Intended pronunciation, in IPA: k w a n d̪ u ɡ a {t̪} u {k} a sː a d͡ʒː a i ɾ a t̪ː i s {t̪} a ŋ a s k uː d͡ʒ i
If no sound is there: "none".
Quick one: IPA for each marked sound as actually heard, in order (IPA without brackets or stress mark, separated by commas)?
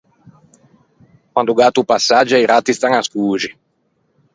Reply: t̪, p, t̪